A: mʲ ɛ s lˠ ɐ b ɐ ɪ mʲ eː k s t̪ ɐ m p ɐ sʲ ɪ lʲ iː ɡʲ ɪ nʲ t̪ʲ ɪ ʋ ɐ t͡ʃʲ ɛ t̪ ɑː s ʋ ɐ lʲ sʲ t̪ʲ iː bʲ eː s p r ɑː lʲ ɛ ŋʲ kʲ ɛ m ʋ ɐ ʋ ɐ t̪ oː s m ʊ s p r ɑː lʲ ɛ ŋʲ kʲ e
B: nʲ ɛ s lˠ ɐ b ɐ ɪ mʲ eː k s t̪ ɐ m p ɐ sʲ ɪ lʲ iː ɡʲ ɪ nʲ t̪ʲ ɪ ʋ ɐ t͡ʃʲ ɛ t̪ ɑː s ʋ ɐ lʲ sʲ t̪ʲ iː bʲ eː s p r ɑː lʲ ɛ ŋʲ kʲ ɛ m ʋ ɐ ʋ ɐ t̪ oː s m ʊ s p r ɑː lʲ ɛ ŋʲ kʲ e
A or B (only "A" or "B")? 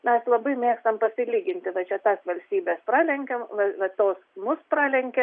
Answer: A